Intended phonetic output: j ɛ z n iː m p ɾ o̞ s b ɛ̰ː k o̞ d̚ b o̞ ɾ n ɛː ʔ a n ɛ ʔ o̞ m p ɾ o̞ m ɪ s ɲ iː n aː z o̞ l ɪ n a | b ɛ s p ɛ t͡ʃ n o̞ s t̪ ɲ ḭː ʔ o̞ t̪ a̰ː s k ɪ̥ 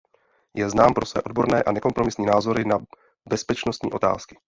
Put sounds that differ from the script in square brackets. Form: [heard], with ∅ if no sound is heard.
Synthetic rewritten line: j ɛ z n [aː] m p ɾ o̞ s [v] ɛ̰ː [ʔ] o̞ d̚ b o̞ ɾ n ɛː ʔ a n ɛ [k] o̞ m p ɾ o̞ m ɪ s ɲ iː n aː z o̞ [ɾ] ɪ n a | b ɛ s p ɛ t͡ʃ n o̞ s t̪ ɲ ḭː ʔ o̞ t̪ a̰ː s k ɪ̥